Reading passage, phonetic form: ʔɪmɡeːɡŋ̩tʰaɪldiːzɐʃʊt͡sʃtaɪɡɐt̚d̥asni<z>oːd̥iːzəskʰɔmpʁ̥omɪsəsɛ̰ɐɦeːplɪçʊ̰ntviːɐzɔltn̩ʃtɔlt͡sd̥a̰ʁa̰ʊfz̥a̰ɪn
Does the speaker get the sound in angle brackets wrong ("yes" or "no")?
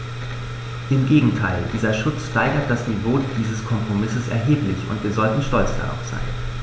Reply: yes